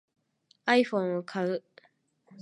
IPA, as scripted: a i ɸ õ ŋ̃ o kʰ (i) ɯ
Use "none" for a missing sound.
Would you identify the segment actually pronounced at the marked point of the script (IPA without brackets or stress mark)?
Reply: a